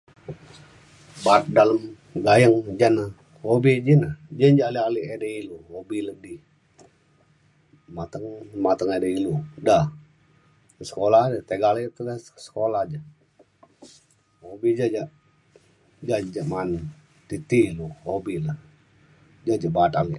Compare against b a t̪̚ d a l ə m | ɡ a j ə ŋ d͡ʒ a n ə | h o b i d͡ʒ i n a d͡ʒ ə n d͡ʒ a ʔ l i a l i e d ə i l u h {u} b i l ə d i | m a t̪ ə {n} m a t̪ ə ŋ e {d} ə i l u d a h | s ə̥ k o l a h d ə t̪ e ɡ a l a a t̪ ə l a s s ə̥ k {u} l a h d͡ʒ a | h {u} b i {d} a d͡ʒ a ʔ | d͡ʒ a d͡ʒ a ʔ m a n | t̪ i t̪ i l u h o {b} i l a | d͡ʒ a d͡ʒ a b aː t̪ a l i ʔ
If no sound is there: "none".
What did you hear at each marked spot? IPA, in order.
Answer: o, ŋ, d, o, o, d͡ʒ, b

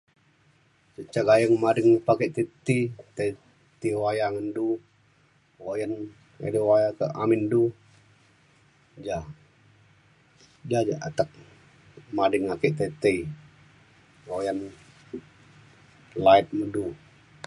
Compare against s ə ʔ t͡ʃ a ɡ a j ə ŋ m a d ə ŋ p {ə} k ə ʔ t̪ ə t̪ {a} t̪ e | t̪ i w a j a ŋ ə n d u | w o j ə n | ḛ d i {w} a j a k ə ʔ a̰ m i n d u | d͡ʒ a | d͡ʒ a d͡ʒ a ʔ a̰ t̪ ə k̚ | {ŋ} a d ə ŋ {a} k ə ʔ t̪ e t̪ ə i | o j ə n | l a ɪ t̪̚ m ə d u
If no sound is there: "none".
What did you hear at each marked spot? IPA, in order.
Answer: a, i, w, m, a

